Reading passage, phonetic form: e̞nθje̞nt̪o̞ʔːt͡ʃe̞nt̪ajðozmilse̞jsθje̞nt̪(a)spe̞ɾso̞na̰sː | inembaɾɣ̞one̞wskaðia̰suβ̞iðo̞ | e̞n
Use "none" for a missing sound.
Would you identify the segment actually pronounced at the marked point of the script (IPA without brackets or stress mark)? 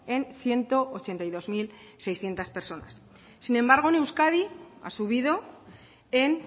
a